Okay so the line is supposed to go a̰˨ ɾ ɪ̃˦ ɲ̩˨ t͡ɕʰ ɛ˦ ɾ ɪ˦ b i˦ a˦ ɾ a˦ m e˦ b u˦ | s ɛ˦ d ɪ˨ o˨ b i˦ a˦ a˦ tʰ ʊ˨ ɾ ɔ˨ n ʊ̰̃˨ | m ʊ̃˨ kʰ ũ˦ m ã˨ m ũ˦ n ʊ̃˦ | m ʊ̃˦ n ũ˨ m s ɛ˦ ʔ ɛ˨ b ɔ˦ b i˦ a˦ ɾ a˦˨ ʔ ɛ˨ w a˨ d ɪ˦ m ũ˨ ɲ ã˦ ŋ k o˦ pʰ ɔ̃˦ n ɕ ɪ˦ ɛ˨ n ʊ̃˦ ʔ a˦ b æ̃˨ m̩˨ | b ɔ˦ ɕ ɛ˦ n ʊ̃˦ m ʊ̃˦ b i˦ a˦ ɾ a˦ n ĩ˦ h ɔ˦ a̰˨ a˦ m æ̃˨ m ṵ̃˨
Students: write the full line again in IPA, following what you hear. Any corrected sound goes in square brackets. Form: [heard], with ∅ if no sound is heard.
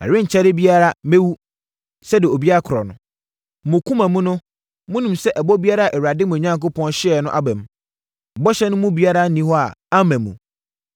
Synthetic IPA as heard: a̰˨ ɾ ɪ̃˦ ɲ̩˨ t͡ɕʰ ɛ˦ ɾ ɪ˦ b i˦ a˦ ɾ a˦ m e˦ [w] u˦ | s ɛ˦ d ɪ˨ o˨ b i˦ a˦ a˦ [kʰ] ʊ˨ ɾ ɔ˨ n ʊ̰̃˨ | m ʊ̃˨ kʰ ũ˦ m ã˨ m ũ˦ n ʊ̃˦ | m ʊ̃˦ n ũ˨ m s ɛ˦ ʔ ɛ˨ b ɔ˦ b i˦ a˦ ɾ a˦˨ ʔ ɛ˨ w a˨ d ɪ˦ m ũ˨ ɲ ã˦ ŋ k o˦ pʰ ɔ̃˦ n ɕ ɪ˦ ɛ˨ n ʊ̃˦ ʔ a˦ b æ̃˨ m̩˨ | b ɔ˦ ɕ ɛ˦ n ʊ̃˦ m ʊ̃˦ b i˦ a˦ ɾ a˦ n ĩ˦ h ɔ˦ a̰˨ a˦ m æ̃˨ m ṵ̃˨